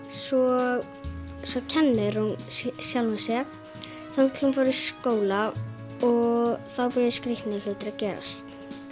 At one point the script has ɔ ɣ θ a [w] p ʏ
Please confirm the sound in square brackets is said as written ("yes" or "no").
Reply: yes